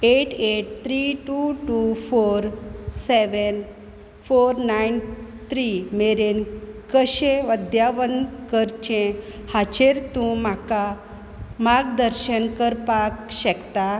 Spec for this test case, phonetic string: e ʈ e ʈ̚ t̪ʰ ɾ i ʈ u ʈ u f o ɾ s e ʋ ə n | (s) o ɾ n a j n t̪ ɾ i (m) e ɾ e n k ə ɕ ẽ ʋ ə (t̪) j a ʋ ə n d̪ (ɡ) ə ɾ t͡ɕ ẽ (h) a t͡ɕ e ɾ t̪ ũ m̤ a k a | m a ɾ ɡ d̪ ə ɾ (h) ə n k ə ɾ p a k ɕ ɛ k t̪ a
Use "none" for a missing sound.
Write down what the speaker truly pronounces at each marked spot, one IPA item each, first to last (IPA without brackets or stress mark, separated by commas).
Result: f, m, d̪, k, h, ɕ